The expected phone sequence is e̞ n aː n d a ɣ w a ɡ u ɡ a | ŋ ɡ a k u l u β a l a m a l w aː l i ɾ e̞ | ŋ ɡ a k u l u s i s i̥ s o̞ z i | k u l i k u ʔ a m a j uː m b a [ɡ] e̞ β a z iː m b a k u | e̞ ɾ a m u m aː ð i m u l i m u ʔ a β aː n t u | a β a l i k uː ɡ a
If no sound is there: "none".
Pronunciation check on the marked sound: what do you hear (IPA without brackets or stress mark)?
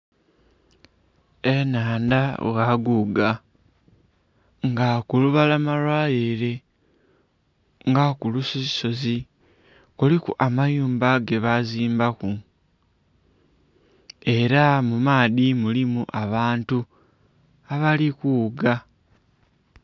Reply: ɡ